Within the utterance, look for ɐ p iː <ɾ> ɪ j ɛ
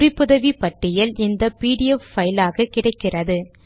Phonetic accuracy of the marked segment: incorrect: ɽ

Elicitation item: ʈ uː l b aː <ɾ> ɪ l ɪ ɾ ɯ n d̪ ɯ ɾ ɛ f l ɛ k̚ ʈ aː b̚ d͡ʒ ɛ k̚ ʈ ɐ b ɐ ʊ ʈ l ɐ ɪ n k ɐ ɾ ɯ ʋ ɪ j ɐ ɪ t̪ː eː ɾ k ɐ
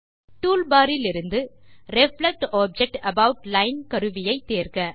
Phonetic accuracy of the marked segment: correct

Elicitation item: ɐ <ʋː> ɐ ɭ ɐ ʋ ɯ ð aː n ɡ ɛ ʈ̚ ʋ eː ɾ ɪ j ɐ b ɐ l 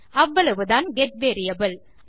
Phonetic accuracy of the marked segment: correct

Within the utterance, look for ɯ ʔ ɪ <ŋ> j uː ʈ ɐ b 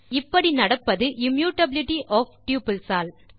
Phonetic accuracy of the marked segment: incorrect: m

